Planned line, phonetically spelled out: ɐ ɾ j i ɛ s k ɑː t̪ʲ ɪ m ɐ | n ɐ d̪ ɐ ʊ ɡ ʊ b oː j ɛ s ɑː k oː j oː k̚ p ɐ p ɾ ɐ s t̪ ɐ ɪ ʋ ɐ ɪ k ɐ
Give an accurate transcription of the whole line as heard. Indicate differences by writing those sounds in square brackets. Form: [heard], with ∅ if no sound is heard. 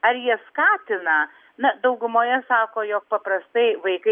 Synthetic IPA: ɐ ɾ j i ɛ s k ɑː t̪ʲ ɪ [n] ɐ | n ɐ d̪ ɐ ʊ ɡ ʊ [m] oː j ɛ s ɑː k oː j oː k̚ p ɐ p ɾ ɐ s t̪ ɐ ɪ ʋ ɐ ɪ k ɐ